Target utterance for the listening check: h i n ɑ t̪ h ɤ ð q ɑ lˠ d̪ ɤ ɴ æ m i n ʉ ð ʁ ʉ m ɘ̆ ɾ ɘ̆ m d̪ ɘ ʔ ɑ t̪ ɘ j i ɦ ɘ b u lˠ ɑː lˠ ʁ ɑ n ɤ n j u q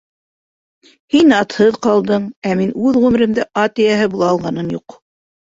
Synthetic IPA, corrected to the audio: h i n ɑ t̪ h ɤ ð q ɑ lˠ d̪ ɤ ɴ æ m i n ʉ ð ʁ ʉ m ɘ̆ ɾ ɘ̆ m d̪ ɘ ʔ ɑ t̪ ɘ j æ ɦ ɘ b u lˠ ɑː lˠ ʁ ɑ n ɤ n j u q